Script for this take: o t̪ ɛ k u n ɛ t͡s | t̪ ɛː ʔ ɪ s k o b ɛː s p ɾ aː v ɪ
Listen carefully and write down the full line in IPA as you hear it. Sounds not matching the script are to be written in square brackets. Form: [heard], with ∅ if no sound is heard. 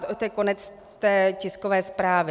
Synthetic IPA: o t̪ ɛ k [o] n ɛ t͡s | t̪ ɛː [c] ɪ s k o [v] ɛː s p ɾ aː v ɪ